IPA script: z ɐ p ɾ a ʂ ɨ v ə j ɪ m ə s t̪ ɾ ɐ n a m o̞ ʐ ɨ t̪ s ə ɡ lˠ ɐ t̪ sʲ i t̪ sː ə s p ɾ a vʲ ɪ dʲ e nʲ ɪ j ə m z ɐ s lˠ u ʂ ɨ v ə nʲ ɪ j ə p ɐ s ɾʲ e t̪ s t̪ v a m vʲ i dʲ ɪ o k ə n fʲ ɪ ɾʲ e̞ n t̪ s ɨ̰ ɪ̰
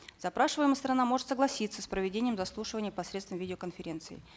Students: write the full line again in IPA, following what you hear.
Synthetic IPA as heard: z ɐ p ɾ a ʂ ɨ v ə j ɪ m ə s t̪ ɾ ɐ n a m o̞ ʐ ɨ t̪ s ə ɡ lˠ ɐ sʲ i t̪ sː ə s p ɾ ə vʲ ɪ dʲ e nʲ ɪ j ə m z ɐ s lˠ u ʂ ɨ v ə nʲ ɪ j ə p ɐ s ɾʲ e t̪ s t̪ v ə m vʲ i dʲ ɪ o k ə n fʲ ɪ ɾʲ e̞ n t̪ s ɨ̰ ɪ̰